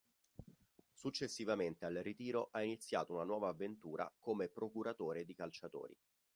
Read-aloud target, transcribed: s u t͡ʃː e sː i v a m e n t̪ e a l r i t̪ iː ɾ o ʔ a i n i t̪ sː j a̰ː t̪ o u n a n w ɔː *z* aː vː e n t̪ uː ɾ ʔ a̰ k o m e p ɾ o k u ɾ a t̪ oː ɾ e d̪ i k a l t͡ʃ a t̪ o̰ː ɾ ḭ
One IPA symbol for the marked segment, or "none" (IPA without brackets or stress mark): v